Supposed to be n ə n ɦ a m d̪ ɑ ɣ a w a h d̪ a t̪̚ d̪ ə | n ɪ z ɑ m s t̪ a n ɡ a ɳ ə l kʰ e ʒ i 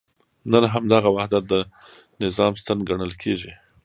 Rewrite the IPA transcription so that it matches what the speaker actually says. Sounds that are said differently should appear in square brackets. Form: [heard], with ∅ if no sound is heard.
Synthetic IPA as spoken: n ə n ɦ a m d̪ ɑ ɣ a w a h d̪ a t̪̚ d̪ ə | n ɪ z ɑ m s t̪ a n ɡ a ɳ ə l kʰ e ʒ i